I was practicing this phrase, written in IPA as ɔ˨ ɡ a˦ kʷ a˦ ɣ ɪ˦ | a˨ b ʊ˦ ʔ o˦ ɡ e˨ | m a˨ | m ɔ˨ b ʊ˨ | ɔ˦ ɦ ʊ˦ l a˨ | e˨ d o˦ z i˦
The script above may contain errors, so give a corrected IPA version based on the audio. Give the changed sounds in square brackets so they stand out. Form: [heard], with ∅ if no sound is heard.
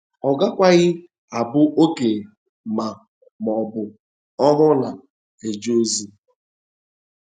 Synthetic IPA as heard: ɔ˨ ɡ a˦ kʷ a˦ ɣ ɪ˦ | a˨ b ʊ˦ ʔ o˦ [k] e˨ | m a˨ | m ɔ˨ b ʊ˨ | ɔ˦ ɦ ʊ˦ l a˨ | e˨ [d͡ʒ] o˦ z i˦